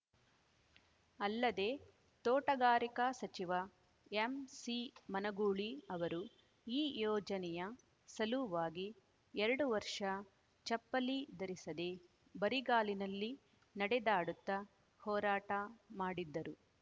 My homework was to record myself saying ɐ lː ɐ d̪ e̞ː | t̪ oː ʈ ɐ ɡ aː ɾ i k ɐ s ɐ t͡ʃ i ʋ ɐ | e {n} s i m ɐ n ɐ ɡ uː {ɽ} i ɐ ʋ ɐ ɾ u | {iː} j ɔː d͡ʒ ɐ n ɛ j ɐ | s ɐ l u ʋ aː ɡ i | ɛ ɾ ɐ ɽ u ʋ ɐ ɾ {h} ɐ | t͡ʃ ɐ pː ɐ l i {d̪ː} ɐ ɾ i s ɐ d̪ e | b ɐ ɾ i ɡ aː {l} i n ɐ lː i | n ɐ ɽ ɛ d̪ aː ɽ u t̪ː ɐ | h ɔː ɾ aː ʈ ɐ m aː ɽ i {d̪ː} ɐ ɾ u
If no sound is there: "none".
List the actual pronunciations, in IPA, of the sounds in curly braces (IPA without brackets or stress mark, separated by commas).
m, ɭ, iː, ʂ, d̪, l, d̪ː